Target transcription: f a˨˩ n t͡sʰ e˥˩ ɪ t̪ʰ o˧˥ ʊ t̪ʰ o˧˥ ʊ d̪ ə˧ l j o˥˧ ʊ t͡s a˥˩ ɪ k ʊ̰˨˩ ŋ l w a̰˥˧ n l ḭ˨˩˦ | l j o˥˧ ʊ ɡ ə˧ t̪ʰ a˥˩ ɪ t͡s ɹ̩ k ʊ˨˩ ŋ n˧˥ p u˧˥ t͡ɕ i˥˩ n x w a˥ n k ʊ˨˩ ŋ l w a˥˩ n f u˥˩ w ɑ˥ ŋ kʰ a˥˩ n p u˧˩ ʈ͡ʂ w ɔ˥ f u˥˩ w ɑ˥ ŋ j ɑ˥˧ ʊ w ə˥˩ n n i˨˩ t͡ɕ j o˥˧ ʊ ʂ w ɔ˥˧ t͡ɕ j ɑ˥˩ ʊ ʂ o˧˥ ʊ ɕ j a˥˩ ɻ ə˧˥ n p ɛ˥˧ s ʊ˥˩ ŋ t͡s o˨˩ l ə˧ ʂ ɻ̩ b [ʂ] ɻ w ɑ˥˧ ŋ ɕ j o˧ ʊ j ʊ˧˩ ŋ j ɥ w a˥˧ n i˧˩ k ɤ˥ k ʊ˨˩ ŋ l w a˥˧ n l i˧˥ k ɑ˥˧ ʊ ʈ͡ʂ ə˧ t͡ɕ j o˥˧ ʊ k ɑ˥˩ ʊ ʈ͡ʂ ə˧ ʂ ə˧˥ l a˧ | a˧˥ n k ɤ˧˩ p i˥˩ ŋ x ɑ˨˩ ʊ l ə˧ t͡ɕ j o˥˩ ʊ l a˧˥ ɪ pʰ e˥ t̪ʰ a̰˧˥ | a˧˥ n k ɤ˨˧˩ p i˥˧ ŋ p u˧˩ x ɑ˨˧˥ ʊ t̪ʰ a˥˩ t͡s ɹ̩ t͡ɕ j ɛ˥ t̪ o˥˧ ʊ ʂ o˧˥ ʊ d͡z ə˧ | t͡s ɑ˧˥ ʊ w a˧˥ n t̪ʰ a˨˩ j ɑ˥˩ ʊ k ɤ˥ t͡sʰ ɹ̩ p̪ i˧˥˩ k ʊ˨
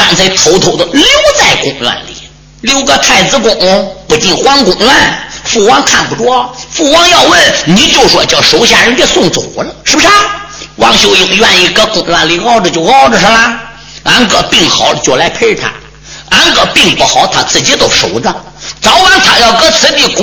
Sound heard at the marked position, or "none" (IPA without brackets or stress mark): ʂ